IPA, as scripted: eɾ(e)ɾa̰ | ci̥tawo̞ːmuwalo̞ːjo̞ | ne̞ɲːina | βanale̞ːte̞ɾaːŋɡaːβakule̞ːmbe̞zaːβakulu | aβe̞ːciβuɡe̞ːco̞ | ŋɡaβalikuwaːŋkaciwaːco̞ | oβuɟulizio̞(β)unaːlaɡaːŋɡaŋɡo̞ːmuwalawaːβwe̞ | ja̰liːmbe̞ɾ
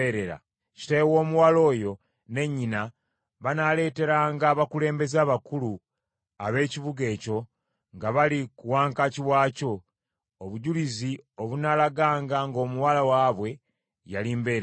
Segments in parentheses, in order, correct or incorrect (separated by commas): correct, correct